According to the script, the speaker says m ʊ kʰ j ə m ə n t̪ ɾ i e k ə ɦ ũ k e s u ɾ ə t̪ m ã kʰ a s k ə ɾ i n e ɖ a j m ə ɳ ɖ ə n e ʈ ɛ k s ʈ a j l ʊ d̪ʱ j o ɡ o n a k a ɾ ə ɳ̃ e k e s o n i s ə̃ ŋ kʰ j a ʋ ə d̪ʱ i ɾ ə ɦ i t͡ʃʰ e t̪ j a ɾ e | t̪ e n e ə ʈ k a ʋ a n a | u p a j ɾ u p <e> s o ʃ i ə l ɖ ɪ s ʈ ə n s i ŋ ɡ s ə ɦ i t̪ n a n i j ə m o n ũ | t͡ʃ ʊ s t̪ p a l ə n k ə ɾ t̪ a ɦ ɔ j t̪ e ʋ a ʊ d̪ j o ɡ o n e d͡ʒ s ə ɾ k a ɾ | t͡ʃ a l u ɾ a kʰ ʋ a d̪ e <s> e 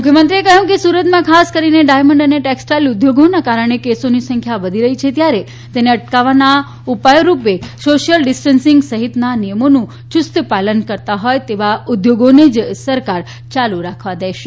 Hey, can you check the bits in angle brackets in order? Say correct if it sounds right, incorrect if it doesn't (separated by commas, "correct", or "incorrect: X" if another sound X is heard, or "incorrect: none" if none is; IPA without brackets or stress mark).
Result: correct, incorrect: ʃ